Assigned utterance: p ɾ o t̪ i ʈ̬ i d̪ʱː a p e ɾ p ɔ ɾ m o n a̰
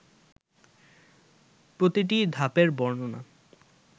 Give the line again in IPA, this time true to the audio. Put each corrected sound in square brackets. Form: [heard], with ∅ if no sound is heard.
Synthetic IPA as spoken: p ɾ o t̪ i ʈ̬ i [d̪ʱ] a p e ɾ [b] ɔ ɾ [n] o n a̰